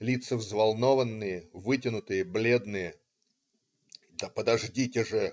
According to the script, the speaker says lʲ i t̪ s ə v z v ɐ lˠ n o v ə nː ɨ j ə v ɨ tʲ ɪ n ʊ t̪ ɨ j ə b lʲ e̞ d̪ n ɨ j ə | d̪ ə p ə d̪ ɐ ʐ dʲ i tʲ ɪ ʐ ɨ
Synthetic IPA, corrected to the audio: lʲ i t̪ s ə v z v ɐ lˠ n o v ə nː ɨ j ə v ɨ tʲ ɪ n ʊ t̪ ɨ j ə b lʲ e̞ d̪ n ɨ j ə | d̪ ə p ə d̪ ɐ ʐ dʲ i tʲ ɪ ʐ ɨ